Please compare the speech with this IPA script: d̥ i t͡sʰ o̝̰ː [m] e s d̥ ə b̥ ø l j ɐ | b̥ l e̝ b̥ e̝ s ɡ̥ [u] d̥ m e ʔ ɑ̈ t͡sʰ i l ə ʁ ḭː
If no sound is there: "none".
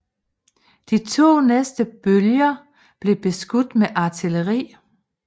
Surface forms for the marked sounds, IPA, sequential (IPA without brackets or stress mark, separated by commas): n, u